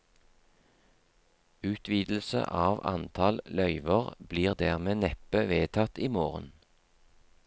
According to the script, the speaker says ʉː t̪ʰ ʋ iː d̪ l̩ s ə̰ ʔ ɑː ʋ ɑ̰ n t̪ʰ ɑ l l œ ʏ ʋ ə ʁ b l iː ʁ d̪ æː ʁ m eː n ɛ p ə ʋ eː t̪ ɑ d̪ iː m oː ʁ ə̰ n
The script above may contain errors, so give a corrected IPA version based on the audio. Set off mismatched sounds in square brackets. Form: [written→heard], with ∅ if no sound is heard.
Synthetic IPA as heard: ʉː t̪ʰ ʋ iː d̪ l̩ s ə̰ ʔ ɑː ʋ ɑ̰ n t̪ʰ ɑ l l œ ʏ ʋ ə ʁ b l iː ʁ d̪ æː ʁ m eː n ɛ p ə ʋ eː [t̪→t̪ʰ] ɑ [d̪→t̪] iː m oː ʁ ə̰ n